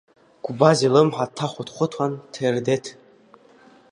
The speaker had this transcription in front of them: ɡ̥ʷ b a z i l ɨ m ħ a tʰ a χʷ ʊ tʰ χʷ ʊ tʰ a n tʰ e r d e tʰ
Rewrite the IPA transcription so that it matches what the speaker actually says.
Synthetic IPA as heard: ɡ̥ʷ b a z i l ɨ m ħ a tʰ a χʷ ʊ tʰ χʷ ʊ tʰ a n tʰ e r d e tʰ

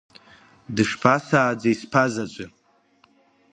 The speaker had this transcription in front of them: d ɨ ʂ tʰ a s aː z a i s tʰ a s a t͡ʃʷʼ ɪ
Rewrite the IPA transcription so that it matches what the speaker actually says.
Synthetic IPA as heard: d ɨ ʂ pʰ a s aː d͡z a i s pʰ a z a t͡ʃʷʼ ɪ

